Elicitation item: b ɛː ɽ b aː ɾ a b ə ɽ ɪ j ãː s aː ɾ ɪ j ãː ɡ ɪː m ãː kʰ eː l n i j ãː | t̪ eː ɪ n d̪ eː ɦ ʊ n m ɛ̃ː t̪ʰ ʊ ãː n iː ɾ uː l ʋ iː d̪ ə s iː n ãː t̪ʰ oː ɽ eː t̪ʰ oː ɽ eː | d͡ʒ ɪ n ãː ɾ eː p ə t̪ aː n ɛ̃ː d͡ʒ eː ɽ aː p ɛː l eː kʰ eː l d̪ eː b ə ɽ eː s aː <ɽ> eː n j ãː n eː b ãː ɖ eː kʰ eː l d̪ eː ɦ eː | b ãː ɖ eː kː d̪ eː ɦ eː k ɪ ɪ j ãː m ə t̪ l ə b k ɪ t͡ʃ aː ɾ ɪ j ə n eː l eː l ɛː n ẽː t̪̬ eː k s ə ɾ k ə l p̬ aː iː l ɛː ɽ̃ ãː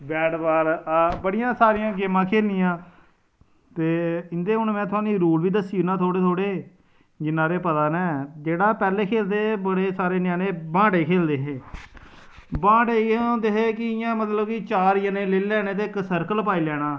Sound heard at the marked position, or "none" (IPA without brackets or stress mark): ɾ